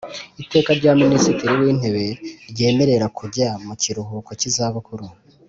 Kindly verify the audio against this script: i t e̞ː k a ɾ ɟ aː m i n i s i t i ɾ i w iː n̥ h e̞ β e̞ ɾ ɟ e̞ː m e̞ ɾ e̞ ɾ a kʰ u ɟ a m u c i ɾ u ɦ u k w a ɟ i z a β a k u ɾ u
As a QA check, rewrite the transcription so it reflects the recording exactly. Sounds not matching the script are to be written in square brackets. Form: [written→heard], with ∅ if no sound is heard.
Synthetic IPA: i t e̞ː k a ɾ ɟ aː m i n i s i t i ɾ i w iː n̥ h e̞ β e̞ ɾ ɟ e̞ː m e̞ ɾ e̞ ɾ a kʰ u ɟ a m u c i ɾ u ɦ u k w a [ɟ→c] i z a β a k u ɾ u